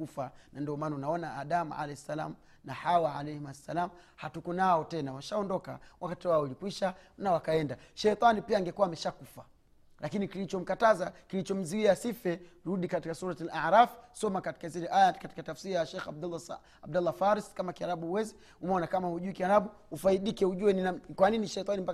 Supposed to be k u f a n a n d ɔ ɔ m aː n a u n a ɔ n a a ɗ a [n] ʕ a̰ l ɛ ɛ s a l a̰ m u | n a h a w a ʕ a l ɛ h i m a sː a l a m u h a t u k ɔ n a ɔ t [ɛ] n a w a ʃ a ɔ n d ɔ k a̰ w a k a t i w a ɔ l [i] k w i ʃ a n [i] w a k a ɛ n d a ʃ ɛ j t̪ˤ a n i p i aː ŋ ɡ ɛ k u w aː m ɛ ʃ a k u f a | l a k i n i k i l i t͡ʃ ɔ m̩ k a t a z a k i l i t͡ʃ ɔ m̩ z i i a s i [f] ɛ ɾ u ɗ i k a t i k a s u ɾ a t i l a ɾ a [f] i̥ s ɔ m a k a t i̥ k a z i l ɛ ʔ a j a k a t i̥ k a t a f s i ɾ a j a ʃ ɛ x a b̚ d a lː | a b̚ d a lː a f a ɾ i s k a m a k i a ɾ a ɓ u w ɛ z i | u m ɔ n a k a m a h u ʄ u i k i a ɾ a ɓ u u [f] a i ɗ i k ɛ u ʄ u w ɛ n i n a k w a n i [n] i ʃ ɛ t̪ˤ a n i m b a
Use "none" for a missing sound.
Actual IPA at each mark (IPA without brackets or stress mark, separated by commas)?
m, ɛ, i, a, f, f, f, n